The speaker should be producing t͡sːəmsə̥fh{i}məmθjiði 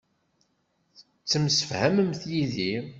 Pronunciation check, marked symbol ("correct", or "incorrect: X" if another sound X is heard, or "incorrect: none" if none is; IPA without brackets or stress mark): incorrect: æ